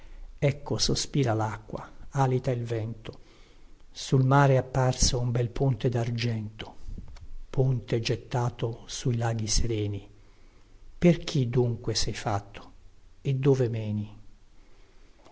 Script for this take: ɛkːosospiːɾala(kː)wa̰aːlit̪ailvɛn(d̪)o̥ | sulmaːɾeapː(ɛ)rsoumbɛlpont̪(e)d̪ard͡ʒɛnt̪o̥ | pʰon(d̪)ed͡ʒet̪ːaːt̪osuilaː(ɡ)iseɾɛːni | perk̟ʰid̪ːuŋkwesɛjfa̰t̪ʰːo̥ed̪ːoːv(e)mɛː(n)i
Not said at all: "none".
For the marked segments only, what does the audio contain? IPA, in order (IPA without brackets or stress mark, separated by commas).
kː, t̪, a, e, t̪, ɡ, e, n